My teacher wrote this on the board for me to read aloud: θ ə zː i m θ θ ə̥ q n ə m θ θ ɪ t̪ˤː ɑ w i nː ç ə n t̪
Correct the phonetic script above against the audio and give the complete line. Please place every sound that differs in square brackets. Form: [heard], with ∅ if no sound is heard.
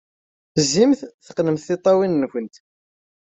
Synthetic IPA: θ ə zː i m θ θ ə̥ q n ə m θ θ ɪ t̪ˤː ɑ w i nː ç ə n t̪